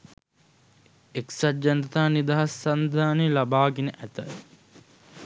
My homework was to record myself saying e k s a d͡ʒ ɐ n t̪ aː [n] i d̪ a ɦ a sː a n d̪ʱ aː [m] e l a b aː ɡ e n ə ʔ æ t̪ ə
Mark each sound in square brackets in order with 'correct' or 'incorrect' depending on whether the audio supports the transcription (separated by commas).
correct, incorrect